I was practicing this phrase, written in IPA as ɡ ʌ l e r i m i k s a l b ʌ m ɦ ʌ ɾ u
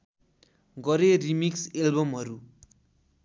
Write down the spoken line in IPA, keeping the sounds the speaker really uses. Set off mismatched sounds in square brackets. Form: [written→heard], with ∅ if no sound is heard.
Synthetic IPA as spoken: ɡ ʌ [l→ɾ] e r i m i k s [a→e] l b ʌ m ɦ ʌ ɾ u